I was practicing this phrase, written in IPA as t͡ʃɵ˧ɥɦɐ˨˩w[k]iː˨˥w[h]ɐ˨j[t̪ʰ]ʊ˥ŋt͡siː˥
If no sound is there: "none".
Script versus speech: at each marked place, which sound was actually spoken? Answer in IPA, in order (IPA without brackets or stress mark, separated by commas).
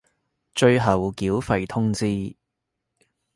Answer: k, f, t̪ʰ